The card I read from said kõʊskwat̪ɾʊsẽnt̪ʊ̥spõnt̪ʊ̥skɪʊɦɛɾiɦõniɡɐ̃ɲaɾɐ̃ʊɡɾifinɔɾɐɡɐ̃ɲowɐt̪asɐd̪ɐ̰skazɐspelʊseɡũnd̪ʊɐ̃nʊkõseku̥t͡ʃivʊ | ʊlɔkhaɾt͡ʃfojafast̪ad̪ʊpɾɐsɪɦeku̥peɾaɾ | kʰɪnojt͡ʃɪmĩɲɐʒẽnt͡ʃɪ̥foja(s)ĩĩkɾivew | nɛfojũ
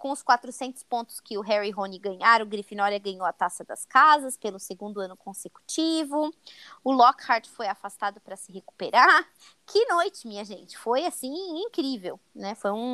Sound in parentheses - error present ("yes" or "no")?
no